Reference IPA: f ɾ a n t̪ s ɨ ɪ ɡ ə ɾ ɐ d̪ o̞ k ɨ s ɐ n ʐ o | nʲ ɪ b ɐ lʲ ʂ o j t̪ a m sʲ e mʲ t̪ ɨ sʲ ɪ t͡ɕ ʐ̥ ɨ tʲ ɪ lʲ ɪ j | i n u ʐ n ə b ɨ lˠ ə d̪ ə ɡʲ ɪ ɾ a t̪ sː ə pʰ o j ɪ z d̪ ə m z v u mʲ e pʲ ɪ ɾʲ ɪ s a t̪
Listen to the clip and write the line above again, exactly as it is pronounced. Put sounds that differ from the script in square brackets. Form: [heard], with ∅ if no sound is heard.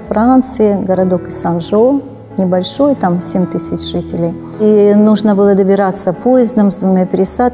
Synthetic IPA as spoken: f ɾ a n t̪ s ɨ ɪ ɡ ə ɾ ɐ d̪ o̞ k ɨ s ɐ n ʐ o | nʲ ɪ b ɐ lʲ ʂ o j t̪ a m sʲ e mʲ t̪ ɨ sʲ ɪ t͡ɕ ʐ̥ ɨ tʲ ɪ lʲ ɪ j | i n u ʐ n ə b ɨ lˠ ə d̪ ə [bʲ] ɪ ɾ a t̪ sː ə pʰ o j ɪ z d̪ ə m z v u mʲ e pʲ ɪ ɾʲ ɪ s a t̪